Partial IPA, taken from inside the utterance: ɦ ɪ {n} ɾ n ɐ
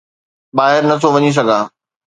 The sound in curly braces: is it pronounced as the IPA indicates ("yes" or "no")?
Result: no